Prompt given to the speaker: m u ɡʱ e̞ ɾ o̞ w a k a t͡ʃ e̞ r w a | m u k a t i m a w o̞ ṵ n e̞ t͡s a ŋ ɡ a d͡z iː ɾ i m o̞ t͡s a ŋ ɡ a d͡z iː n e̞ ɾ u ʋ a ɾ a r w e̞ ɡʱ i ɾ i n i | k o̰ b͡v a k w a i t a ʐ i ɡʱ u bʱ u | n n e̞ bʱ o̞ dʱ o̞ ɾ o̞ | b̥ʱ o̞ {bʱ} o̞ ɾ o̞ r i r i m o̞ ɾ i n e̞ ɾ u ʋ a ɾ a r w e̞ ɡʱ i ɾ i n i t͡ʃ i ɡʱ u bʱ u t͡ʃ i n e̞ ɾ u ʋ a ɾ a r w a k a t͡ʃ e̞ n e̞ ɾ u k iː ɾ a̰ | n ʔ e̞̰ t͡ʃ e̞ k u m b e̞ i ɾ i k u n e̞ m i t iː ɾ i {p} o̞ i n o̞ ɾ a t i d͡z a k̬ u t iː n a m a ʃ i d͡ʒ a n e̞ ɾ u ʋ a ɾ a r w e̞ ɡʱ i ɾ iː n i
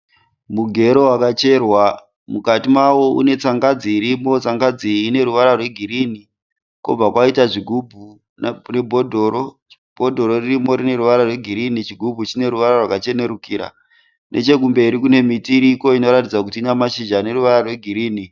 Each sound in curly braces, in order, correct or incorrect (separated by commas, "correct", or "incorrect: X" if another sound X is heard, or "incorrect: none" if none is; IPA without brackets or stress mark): incorrect: dʱ, incorrect: k